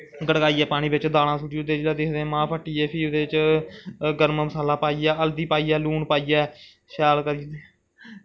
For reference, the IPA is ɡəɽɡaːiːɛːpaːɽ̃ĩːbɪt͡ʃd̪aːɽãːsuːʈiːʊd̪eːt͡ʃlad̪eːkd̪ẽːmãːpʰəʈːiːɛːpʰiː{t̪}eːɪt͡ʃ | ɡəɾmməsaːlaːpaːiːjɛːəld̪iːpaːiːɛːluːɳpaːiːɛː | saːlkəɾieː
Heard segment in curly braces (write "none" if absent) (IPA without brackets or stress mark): d̪